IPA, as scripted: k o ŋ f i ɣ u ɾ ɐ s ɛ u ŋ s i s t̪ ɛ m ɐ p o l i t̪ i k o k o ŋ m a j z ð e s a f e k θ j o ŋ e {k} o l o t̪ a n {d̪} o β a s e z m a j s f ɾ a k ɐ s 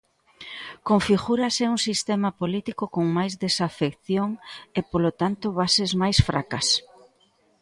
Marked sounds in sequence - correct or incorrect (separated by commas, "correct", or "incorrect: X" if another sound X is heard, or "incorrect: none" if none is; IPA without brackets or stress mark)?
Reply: incorrect: p, incorrect: t̪